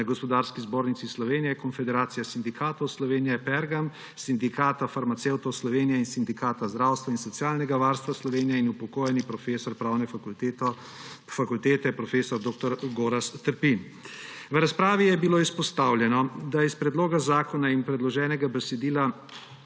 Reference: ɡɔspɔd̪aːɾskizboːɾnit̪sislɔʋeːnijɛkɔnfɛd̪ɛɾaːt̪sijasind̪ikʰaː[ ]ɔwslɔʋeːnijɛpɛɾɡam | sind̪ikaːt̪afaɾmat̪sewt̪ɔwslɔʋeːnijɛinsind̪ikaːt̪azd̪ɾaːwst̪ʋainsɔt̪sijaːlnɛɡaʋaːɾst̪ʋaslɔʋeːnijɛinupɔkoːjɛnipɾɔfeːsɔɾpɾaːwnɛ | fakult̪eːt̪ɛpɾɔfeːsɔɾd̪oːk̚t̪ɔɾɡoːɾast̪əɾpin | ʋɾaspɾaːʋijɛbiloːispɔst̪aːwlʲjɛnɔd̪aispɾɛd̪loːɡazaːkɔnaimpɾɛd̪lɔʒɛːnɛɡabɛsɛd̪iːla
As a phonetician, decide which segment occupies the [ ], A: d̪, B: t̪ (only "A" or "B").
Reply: B